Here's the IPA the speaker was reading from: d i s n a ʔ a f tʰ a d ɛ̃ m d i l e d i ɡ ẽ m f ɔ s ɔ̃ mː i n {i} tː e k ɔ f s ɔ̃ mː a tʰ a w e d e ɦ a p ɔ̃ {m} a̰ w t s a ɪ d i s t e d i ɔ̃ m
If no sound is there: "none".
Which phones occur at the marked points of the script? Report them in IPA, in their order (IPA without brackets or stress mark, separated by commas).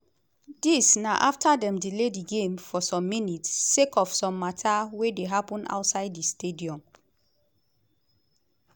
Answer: i, n